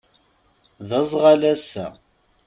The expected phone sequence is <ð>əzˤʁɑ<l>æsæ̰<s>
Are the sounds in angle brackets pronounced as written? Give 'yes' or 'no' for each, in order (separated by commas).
yes, yes, no